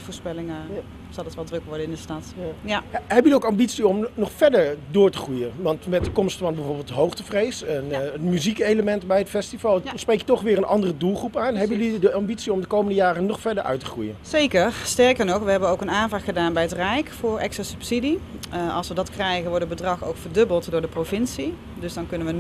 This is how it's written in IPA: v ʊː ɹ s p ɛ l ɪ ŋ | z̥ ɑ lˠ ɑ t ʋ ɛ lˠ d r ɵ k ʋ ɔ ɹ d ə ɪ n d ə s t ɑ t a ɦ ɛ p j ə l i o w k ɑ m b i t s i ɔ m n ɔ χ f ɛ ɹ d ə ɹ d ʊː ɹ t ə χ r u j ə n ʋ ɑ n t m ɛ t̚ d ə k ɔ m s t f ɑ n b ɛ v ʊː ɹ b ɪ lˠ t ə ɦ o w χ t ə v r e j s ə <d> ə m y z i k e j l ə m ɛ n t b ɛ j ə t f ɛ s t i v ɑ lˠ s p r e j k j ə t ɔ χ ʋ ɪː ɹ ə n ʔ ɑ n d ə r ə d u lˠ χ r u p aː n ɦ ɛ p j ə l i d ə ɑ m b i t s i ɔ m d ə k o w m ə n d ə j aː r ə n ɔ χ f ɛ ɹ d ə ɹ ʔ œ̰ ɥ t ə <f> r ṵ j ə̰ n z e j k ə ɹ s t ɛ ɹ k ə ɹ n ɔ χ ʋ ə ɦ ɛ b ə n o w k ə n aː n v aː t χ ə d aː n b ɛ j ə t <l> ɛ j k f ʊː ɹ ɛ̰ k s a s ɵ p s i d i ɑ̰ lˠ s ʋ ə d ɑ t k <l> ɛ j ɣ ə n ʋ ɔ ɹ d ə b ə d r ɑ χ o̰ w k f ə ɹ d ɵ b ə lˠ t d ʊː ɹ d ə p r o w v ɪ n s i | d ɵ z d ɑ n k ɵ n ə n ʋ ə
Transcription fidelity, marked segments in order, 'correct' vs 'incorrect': incorrect, incorrect, incorrect, incorrect

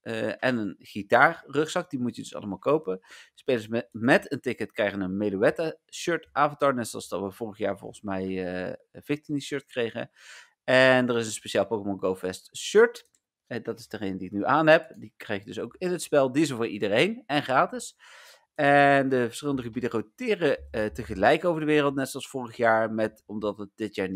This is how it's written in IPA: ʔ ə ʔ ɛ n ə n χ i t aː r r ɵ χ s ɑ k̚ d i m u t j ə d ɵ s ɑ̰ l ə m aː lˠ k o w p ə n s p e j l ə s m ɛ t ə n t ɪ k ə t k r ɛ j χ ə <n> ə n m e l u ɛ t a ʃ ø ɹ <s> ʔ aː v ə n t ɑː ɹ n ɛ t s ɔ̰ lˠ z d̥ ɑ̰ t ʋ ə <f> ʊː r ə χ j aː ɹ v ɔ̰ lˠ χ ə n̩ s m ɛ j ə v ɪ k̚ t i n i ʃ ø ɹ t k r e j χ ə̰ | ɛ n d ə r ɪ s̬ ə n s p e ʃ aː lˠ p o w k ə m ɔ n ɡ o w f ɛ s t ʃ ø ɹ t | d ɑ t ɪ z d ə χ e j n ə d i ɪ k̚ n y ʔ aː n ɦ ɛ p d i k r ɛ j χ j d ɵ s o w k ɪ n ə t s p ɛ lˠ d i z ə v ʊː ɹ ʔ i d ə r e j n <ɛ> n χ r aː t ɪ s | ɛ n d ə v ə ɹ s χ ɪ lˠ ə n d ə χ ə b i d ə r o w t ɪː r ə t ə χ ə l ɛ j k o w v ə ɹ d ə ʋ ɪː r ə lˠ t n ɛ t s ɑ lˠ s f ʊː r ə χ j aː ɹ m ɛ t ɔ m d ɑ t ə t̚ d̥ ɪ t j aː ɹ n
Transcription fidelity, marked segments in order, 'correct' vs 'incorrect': correct, incorrect, incorrect, correct

